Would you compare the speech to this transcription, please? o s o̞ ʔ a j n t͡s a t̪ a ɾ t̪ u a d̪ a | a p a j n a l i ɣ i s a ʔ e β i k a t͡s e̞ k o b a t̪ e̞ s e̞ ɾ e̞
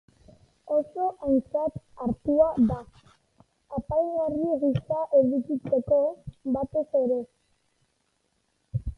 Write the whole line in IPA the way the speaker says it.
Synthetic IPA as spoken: o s o̞ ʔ a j n t͡s a t̪ a ɾ t̪ u a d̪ a | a p a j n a r i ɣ i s a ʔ e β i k i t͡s e̞ k o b a t̪ e̞ s e̞ ɾ e̞